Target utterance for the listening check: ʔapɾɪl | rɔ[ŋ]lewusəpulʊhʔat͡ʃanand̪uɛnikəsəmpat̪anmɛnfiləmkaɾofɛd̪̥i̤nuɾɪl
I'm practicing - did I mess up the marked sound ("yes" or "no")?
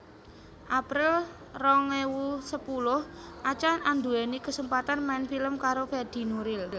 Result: no